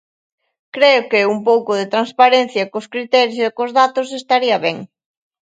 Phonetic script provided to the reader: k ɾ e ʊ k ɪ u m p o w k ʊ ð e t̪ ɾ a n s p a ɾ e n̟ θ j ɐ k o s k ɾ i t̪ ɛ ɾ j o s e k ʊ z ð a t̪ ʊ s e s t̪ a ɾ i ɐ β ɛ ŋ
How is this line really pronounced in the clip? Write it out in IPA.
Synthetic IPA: k ɾ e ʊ k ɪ u m p o w k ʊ ð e t̪ ɾ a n s p a ɾ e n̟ θ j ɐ k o s k ɾ i t̪ ɛ ɾ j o s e k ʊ z ð a t̪ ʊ s e s t̪ a ɾ i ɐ β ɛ ŋ

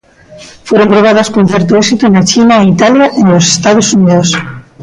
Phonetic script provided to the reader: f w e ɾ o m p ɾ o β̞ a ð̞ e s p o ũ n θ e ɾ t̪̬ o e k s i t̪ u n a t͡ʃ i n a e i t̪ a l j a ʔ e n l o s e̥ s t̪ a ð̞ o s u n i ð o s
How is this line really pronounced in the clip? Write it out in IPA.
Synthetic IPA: f w e ɾ o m p ɾ o β̞ a ð̞ a s k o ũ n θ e ɾ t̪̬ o e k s i t̪ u n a t͡ʃ i n a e i t̪ a l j a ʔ e n l o s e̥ s t̪ a ð̞ o s u n i ð o s

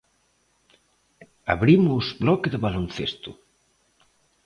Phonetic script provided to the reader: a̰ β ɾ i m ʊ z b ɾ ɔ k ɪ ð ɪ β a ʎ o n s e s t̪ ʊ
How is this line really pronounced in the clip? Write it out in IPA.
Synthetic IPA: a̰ β ɾ i m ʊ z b l ɔ k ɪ ð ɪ β a l o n θ e s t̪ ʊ

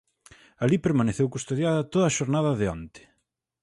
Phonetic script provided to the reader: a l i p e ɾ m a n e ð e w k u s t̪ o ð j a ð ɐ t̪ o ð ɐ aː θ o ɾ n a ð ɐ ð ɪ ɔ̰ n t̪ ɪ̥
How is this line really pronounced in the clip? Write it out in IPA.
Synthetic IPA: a l i p e ɾ m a n e θ e w k u s t̪ o ð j a ð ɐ t̪ o ð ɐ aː ʃ o ɾ n a ð ɐ ð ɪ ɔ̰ n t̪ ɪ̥

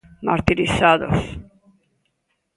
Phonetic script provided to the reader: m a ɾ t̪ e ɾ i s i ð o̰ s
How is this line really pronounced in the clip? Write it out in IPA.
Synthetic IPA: m a ɾ t̪ i ɾ i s a ð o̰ s

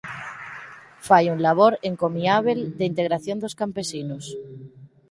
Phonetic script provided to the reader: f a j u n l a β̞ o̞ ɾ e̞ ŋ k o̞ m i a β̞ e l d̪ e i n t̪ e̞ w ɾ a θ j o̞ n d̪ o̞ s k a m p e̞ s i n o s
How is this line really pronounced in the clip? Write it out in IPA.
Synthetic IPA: f a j u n l a β̞ o̞ ɾ e̞ ŋ k o̞ m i a β̞ e l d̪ e i n t̪ e̞ ɣ ɾ a θ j o̞ n d̪ o̞ s k a m p e̞ s i n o s

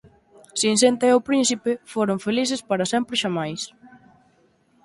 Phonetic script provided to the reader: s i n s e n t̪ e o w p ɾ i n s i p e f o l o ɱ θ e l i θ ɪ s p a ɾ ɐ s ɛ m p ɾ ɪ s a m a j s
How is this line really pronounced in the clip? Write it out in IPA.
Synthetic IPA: s i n s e n t̪ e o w p ɾ i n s i p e f o ɾ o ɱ f e l i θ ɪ s p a ɾ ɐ s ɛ m p ɾ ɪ ʃ a m a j s

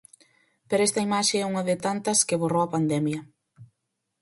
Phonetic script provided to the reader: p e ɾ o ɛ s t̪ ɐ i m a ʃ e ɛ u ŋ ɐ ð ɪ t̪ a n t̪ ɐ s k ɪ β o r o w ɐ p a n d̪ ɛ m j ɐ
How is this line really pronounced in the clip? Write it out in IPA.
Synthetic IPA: p e ɾ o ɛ s t̪ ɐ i m a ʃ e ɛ u ŋ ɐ ð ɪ t̪ a n t̪ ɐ s k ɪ β o r o w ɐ p a n d̪ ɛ m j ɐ

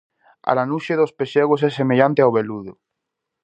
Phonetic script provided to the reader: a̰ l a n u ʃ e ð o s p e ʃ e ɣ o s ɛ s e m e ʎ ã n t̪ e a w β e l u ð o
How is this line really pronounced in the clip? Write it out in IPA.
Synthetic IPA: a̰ l a n u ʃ e ð o s p e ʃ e ɣ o s ɛ s e m e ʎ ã n t̪ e a w β e l u ð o

